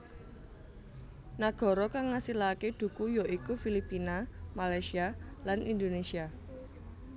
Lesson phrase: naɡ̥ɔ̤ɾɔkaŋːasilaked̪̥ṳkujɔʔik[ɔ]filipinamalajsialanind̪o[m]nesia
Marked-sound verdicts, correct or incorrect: incorrect: u, incorrect: none

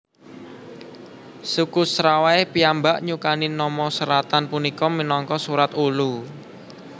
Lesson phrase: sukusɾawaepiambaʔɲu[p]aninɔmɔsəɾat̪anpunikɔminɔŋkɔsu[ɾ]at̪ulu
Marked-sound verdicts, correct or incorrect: incorrect: k, correct

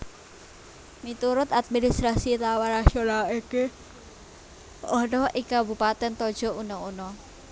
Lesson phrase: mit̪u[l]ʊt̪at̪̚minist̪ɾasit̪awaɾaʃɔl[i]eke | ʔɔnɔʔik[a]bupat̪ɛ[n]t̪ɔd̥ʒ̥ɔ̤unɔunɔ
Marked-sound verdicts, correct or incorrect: incorrect: ɾ, incorrect: a, correct, correct

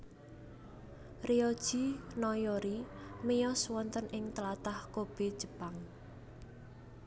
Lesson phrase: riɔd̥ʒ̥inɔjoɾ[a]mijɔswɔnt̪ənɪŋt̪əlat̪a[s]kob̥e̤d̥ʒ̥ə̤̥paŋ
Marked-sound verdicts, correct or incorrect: incorrect: i, incorrect: h

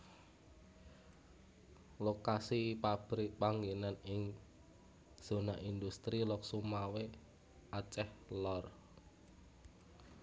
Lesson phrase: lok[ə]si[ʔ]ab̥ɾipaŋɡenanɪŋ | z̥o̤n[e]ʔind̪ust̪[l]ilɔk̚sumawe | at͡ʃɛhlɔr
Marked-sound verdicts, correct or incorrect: incorrect: a, incorrect: p, incorrect: a, incorrect: ɾ

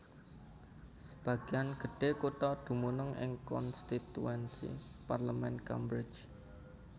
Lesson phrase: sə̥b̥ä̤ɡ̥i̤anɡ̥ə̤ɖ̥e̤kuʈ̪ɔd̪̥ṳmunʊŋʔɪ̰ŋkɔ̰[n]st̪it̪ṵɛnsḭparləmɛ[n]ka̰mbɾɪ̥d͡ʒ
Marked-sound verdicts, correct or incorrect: correct, correct

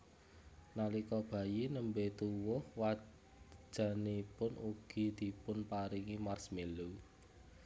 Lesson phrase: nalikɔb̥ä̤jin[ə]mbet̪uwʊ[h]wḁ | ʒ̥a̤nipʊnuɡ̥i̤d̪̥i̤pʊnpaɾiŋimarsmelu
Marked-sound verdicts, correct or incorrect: correct, correct

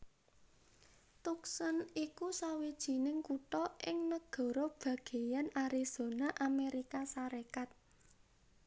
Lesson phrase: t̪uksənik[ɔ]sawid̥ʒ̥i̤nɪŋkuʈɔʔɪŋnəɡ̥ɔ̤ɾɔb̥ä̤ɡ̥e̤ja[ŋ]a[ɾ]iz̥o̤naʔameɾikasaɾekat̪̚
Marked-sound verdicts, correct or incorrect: incorrect: u, incorrect: n, correct

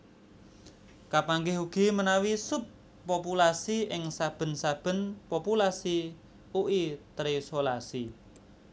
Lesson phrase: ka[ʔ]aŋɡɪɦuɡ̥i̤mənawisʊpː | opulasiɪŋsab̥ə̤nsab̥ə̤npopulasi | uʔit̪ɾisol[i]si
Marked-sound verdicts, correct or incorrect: incorrect: p, incorrect: a

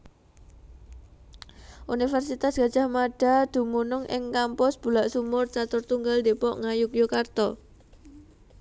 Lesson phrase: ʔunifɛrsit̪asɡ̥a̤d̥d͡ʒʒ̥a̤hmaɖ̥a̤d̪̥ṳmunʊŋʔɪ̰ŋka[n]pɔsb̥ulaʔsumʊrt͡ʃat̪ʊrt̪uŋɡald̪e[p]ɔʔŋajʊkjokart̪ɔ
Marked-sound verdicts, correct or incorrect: incorrect: m, correct

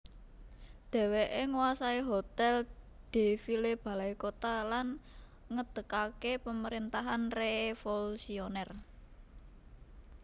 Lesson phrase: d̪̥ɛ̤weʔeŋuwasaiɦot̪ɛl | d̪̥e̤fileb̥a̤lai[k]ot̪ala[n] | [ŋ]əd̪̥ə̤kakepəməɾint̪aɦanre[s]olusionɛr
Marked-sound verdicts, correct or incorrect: correct, correct, correct, incorrect: f

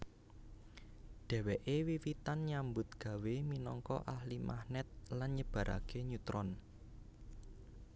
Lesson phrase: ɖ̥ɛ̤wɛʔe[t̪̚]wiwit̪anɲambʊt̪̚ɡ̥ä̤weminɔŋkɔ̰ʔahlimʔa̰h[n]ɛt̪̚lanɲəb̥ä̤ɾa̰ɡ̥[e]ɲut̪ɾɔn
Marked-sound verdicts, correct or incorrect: incorrect: none, correct, correct

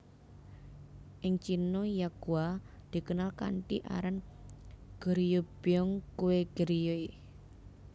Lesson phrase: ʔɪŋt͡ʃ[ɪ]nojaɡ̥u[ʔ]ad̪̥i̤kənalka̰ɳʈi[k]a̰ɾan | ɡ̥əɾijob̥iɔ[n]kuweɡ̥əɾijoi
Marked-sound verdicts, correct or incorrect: incorrect: i, incorrect: none, incorrect: ʔ, incorrect: ŋ

